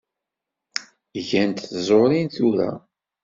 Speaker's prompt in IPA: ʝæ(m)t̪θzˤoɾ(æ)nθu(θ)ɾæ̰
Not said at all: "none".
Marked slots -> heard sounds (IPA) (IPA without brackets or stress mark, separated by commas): n, i, none